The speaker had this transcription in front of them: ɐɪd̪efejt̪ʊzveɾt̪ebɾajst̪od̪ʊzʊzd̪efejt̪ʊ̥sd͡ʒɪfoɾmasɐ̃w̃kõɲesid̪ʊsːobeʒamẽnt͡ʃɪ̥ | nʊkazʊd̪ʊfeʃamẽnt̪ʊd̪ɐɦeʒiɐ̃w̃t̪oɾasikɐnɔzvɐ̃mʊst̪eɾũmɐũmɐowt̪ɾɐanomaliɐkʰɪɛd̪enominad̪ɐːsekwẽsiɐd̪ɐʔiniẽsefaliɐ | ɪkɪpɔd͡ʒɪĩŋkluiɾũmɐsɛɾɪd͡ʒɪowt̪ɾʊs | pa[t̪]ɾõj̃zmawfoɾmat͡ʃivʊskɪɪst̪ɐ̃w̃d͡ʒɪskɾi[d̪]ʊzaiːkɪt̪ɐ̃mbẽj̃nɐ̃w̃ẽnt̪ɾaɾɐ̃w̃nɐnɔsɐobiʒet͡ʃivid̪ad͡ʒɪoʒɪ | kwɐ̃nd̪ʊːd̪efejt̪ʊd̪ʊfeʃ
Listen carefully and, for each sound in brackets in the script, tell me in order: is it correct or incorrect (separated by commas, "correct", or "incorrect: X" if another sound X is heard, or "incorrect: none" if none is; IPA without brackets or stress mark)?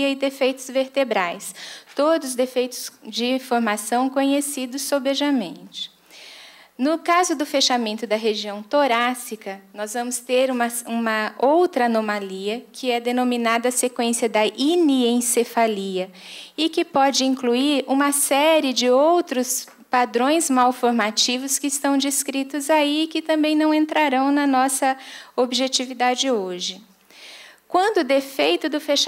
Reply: incorrect: d̪, incorrect: t̪